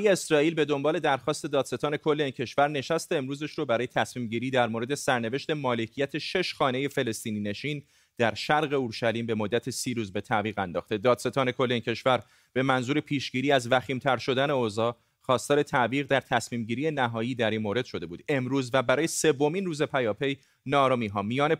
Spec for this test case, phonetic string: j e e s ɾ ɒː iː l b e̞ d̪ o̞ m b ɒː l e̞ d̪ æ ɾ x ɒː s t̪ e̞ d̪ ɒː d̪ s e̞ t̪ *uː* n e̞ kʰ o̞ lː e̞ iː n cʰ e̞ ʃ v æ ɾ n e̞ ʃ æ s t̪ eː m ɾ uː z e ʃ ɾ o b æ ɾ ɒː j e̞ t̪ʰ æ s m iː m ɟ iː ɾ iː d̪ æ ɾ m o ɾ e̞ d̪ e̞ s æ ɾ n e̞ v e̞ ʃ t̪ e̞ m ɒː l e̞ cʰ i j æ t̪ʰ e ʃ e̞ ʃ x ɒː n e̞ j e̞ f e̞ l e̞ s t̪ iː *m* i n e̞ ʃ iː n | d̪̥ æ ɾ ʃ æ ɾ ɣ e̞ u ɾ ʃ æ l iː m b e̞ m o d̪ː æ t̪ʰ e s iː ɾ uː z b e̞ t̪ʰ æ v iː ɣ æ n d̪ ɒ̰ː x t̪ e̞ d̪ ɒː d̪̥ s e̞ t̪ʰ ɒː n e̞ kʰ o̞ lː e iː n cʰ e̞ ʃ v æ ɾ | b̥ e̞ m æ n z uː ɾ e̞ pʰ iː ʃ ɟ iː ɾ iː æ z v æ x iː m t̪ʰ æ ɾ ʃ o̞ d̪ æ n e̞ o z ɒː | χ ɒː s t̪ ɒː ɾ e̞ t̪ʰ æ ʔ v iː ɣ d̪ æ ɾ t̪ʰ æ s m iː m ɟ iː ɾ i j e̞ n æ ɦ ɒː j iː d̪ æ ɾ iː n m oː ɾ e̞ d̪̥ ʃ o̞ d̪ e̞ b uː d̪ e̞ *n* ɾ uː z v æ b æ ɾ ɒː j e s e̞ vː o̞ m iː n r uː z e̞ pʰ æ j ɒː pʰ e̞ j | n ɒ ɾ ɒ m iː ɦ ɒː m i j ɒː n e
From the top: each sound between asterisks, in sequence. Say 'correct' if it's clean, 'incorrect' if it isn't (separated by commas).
incorrect, incorrect, incorrect